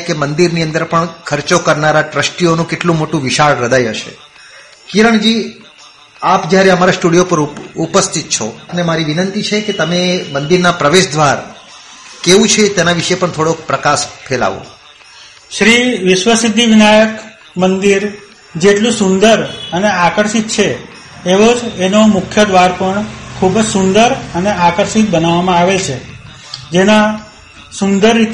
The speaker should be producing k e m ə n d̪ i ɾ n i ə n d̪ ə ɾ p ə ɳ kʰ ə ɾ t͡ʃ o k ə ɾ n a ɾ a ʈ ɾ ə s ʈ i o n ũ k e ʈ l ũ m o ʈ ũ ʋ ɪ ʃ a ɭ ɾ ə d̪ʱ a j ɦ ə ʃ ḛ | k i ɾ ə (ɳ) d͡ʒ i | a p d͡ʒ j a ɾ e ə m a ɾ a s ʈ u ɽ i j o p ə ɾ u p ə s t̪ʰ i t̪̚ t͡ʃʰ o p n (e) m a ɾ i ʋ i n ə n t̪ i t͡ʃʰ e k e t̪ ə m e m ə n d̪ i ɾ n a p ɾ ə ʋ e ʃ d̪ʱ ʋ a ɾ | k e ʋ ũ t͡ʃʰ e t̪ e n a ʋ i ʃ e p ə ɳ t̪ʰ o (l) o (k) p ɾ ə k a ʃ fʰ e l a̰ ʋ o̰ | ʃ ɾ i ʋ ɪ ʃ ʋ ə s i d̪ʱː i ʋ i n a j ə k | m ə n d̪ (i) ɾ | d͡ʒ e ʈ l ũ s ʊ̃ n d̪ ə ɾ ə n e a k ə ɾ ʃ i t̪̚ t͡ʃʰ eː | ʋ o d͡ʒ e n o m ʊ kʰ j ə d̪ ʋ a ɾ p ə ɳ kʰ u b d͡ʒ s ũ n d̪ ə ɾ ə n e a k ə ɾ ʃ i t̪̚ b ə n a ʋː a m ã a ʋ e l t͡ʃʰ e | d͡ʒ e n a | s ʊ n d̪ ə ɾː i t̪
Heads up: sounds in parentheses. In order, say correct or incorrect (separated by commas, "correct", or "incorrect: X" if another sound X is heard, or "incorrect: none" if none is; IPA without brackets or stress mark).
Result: correct, correct, incorrect: ɽ, correct, correct